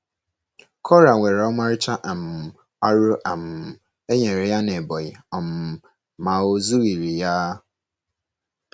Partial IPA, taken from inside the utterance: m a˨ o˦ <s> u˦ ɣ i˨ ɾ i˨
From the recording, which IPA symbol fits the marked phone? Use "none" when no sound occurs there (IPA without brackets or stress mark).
z